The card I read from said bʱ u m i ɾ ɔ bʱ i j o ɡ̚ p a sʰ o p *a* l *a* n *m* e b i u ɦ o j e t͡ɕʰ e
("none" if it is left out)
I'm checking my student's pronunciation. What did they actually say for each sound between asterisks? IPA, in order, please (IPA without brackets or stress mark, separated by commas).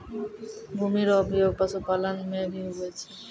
a, a, m